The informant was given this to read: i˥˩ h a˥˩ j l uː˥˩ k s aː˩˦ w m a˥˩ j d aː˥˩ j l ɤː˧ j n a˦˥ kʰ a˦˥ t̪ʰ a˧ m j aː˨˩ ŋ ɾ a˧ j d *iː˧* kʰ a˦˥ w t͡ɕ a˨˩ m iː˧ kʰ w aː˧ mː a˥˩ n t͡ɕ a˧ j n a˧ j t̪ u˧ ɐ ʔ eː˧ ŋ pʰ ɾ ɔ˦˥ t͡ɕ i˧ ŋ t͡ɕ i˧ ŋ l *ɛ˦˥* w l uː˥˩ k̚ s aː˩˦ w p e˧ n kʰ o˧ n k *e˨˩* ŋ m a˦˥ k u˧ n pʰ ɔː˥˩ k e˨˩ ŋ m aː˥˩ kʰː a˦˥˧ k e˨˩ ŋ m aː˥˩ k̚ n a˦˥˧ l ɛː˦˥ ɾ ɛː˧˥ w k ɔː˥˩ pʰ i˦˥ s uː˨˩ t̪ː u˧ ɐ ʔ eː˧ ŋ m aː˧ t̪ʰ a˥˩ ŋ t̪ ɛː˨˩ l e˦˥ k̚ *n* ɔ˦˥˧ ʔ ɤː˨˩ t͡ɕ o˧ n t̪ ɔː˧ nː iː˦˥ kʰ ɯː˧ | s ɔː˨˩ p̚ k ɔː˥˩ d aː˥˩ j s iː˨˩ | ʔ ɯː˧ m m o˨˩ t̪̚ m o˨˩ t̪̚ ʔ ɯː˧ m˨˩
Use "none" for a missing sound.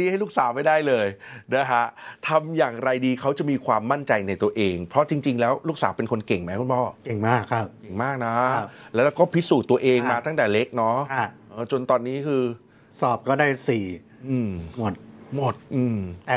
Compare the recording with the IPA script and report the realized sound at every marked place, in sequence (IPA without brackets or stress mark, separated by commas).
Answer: iː˧, ɛː˦˥, e˨˩, n